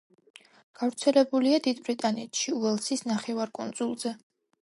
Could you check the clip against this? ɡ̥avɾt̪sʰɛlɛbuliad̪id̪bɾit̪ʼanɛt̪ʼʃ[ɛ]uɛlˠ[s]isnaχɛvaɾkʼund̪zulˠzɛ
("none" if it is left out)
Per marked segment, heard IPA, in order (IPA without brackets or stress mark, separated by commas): i, s